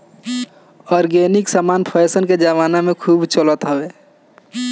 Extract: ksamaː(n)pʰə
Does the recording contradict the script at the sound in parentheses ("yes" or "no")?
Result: no